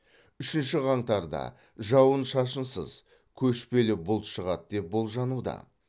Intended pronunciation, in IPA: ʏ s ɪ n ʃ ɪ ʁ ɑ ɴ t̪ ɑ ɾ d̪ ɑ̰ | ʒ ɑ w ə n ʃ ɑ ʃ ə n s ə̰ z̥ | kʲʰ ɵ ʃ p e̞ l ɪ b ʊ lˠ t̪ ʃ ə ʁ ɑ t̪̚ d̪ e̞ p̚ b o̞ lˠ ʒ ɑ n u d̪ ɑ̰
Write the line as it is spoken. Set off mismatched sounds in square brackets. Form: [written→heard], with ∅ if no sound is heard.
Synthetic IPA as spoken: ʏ [s→ʃ] ɪ n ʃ ɪ ʁ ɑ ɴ t̪ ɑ ɾ d̪ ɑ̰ | ʒ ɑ w ə n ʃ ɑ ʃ ə n s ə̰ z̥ | kʲʰ ɵ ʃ p e̞ l ɪ b ʊ lˠ t̪ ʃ ə ʁ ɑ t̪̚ d̪ e̞ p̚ b o̞ lˠ ʒ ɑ n u d̪ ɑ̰